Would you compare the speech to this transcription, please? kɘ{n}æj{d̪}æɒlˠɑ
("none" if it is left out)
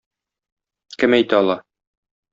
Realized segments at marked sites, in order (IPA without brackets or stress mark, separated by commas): m, t̪